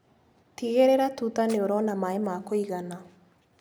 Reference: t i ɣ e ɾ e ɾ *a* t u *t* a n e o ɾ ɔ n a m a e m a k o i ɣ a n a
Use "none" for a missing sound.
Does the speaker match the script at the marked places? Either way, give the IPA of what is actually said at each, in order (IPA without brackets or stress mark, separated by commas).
a, t